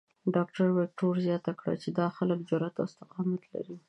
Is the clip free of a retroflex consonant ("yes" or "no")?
no